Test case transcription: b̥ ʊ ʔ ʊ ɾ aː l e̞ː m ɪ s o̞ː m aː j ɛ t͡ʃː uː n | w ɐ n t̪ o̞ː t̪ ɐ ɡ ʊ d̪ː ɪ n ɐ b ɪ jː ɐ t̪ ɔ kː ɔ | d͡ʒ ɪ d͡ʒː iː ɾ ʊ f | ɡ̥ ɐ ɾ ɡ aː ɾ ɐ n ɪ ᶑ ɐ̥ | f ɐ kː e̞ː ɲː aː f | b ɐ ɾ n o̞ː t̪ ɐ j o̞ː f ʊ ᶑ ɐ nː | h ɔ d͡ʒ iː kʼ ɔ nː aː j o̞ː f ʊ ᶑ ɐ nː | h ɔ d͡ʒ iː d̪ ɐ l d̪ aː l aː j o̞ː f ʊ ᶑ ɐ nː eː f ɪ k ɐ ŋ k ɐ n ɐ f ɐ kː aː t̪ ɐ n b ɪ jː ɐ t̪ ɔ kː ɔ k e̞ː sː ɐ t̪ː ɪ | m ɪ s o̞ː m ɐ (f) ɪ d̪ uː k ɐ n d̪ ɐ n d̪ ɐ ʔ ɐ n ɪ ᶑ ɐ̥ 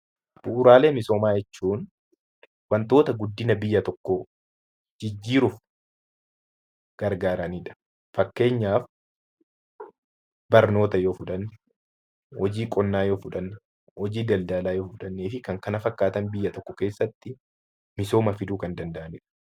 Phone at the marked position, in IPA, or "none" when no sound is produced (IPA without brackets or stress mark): f